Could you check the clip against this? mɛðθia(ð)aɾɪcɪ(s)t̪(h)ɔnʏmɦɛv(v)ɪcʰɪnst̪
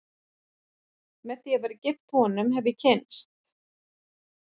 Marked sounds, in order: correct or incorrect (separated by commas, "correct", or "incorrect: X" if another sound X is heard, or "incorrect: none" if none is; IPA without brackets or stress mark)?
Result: incorrect: v, incorrect: f, correct, incorrect: ð